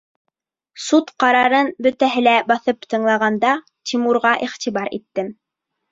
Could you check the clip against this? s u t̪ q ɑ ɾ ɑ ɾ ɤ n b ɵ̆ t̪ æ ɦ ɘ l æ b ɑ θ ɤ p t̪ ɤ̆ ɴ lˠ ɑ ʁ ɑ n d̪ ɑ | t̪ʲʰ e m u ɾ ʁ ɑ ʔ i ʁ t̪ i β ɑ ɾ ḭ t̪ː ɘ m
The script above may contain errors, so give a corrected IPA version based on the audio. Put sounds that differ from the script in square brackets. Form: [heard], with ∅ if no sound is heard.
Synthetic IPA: s u t̪ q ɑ ɾ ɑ ɾ ɤ n b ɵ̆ t̪ æ ɦ ɘ l æ b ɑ θ ɤ p t̪ ɤ̆ ɴ lˠ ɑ ʁ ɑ n d̪ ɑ | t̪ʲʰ [i] m u ɾ ʁ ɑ ʔ i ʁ t̪ i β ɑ ɾ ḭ t̪ː ɘ m